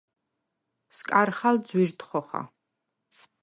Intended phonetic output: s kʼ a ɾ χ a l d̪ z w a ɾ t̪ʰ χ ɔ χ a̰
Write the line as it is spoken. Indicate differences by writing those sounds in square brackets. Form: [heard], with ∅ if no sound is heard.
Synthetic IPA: s kʼ a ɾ χ a l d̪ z w [i] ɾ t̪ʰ χ ɔ χ a̰